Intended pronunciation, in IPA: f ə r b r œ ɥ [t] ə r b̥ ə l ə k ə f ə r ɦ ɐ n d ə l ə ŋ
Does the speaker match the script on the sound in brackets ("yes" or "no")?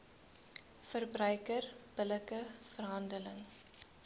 no